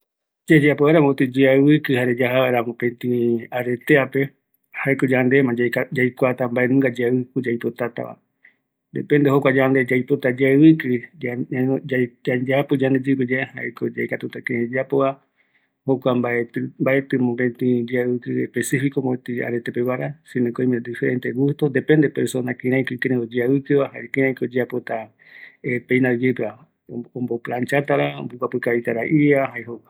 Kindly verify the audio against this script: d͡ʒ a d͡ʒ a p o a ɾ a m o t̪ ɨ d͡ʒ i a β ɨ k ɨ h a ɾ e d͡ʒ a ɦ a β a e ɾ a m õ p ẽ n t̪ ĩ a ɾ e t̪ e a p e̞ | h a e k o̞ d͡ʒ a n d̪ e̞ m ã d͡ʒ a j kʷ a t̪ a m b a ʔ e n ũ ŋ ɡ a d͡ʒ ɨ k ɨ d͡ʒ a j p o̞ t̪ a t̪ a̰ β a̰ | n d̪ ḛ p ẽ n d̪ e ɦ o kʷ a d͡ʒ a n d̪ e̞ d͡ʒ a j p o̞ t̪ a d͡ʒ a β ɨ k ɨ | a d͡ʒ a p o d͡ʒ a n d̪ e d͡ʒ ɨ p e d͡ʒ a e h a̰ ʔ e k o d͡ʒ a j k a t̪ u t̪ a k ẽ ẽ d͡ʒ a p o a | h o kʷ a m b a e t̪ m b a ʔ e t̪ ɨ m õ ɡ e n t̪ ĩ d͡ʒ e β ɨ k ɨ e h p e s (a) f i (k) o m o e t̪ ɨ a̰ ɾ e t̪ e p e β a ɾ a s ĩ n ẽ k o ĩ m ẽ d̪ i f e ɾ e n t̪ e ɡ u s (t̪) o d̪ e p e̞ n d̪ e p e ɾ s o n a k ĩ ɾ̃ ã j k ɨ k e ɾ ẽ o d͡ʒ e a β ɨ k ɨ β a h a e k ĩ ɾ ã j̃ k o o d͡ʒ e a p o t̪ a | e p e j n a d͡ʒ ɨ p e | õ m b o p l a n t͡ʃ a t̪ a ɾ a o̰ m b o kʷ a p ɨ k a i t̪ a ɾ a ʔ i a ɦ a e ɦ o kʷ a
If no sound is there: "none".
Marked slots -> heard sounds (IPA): i, k, t̪

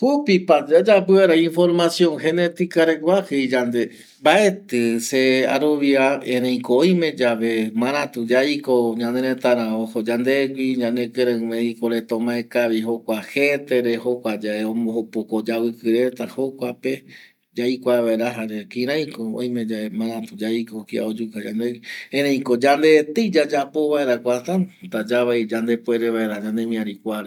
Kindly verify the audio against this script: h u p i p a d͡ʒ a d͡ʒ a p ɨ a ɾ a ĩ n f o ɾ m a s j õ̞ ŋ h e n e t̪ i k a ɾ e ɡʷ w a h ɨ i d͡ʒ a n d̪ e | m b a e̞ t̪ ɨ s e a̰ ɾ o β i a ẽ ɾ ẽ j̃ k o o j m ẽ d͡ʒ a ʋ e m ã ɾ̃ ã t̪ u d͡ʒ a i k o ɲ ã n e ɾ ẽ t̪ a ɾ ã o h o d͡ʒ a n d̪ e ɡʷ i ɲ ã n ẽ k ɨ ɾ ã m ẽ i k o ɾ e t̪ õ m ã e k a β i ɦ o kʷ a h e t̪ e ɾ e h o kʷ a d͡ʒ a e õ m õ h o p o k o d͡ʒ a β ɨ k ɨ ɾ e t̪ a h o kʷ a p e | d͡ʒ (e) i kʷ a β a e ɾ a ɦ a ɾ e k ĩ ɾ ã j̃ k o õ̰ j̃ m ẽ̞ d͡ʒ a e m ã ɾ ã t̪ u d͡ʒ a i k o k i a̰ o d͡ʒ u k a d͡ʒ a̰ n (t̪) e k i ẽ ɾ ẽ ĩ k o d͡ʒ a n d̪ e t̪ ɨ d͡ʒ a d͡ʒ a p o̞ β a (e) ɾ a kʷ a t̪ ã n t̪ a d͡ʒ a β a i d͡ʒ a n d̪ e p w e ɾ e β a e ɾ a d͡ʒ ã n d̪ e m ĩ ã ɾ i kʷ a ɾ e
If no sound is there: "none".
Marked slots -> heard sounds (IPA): a, d̪, e

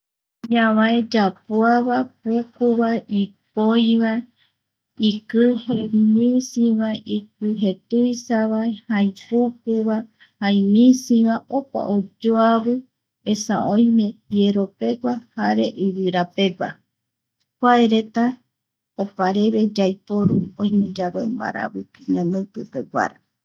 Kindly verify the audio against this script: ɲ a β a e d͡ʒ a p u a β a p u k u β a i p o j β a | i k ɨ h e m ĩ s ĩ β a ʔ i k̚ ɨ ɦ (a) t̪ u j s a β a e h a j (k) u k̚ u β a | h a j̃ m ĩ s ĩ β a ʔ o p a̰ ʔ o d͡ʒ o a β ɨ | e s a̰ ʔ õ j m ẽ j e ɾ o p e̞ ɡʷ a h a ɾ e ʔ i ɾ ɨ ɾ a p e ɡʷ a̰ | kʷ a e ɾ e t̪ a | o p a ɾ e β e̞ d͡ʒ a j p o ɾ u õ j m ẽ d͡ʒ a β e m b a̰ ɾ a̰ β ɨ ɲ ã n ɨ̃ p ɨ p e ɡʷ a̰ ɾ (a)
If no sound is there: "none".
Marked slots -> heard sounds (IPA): e, p, a

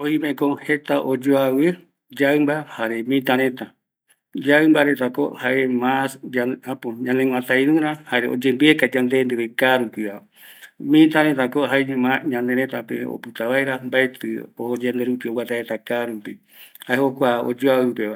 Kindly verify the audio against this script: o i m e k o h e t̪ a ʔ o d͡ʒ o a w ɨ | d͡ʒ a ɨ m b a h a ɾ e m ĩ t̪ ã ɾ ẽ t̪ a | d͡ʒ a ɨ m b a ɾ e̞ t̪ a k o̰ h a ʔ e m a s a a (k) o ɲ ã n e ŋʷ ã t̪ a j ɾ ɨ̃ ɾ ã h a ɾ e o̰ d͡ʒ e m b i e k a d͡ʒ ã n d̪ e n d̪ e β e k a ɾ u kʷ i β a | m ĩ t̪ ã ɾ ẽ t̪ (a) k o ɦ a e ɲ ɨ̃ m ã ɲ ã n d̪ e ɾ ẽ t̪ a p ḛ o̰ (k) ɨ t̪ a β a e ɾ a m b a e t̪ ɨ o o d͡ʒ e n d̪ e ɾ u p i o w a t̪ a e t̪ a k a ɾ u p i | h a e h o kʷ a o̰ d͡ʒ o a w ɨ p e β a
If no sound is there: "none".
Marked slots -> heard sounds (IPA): p, a, p

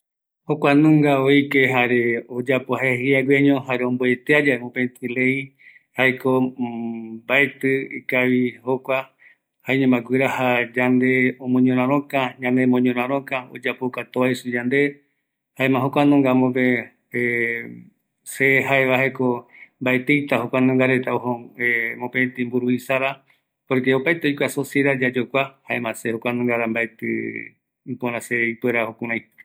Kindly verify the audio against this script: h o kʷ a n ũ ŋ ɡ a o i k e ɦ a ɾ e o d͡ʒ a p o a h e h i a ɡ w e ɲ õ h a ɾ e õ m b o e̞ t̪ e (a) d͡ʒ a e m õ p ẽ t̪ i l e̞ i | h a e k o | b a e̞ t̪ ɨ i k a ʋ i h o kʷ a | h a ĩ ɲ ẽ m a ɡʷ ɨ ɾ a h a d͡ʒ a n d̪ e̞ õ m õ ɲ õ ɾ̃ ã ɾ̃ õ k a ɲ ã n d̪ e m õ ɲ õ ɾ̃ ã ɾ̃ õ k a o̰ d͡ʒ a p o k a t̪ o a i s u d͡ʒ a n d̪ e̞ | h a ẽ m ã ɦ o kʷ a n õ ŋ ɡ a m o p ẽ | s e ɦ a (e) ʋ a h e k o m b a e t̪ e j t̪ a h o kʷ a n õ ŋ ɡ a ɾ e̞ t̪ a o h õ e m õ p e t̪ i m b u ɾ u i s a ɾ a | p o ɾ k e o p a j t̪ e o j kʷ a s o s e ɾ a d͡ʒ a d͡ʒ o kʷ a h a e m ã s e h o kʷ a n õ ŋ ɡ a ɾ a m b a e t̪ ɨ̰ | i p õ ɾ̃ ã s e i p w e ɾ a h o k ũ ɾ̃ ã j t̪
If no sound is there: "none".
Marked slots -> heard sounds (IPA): a, e

